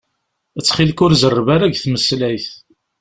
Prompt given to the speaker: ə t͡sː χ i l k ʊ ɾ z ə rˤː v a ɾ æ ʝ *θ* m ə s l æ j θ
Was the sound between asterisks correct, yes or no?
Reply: yes